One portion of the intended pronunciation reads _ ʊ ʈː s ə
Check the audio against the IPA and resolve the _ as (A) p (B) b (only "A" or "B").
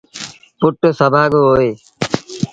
A